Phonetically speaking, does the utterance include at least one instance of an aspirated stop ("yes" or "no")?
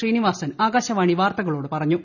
no